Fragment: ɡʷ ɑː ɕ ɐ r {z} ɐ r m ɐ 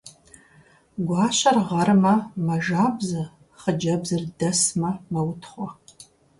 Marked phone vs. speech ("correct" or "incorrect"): incorrect